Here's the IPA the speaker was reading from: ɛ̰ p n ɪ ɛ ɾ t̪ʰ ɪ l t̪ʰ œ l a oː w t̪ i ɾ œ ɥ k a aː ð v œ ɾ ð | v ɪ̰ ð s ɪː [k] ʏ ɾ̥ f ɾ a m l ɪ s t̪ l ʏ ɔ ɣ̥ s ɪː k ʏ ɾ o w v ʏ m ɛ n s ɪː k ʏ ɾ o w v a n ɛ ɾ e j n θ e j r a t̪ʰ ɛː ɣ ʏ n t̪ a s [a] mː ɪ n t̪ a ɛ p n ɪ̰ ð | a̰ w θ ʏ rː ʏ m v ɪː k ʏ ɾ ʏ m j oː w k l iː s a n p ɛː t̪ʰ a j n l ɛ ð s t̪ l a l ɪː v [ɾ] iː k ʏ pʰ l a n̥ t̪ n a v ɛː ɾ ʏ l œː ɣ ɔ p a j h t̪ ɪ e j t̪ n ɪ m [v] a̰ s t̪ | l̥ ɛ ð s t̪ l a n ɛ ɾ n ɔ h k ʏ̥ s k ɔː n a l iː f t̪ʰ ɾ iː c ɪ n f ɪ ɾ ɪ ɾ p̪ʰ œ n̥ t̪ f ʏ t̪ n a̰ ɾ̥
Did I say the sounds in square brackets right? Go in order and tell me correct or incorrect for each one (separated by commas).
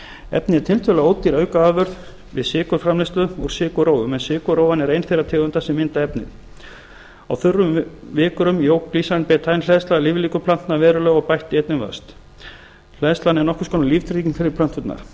correct, incorrect, incorrect, correct